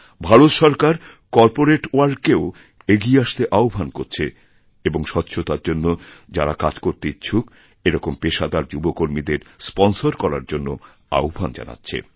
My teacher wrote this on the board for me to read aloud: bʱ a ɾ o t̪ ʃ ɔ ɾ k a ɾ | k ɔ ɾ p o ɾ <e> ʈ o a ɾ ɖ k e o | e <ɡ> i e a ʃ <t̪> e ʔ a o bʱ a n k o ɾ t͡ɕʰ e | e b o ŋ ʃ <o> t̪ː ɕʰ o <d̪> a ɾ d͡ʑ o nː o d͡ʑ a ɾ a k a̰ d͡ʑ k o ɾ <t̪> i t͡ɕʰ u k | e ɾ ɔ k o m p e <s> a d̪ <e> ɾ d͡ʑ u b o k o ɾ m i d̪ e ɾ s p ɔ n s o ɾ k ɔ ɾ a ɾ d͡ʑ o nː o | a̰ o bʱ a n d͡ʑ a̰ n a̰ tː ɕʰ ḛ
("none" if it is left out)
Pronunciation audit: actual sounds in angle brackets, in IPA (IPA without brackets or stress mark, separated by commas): e, ɡ, t̪, ɔ, t̪, t̪, ʃ, a